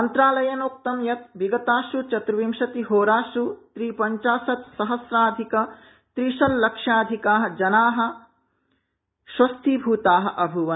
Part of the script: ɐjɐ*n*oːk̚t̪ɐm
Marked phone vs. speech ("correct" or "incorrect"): correct